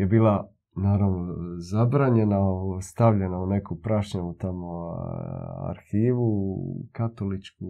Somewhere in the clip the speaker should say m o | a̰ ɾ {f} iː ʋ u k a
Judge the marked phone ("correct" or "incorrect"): incorrect